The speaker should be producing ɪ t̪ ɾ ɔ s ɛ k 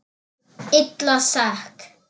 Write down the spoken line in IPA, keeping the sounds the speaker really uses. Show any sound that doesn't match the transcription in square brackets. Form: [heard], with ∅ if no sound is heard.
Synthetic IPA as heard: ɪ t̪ [l] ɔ s [a] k